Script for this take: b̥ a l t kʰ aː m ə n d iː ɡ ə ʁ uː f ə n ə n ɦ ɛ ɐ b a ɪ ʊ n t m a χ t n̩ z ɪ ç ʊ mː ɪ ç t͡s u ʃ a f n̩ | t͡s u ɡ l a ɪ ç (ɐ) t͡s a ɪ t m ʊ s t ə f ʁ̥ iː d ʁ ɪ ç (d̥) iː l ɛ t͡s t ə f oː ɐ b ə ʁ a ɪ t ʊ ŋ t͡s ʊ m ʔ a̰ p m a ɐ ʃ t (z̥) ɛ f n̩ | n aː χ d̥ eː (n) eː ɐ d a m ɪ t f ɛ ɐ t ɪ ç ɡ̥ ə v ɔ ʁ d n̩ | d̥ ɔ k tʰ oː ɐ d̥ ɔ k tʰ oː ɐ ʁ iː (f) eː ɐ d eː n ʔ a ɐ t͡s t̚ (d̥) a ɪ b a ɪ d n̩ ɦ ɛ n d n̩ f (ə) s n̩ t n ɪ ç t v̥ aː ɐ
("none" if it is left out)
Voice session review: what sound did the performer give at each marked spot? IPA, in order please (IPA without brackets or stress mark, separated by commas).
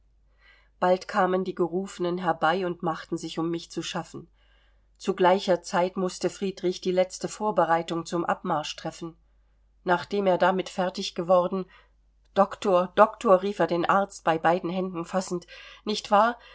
ɐ, d̥, ʁ̥, m, f, b̥, a